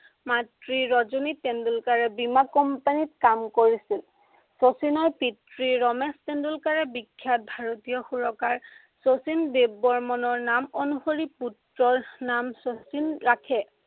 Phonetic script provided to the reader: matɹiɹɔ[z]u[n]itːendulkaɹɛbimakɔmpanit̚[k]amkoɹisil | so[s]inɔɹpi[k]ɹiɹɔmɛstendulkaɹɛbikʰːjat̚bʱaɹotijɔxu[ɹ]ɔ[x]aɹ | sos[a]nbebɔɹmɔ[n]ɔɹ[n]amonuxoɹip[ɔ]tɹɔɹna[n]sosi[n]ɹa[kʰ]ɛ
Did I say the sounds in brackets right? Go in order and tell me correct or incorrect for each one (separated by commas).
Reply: correct, correct, correct, correct, incorrect, correct, incorrect, incorrect, correct, correct, incorrect, incorrect, correct, correct